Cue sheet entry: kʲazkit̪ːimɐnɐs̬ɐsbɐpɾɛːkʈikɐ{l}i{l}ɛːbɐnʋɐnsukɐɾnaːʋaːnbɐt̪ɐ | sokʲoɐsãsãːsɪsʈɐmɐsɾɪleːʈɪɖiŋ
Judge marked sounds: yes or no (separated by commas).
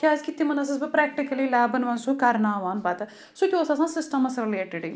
yes, yes